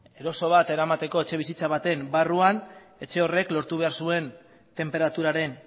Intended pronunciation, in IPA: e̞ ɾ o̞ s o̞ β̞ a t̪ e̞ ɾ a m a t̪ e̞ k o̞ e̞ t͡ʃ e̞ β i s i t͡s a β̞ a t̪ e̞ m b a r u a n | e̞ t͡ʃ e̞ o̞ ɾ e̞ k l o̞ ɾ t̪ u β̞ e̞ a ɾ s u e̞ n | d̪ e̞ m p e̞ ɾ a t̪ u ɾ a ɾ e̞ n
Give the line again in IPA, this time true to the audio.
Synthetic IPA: e̞ ɾ o̞ s o̞ β̞ a t̪ e̞ ɾ a m a t̪ e̞ k o̞ e̞ t͡ʃ e̞ β i s i t͡s a β̞ a t̪ e̞ m b a r u a n | e̞ t͡ʃ e̞ o̞ r e̞ k l o̞ ɾ t̪ u β̞ e̞ a ɾ s u e̞ n | t̪ e̞ m p e̞ ɾ a t̪ u ɾ a ɾ e̞ n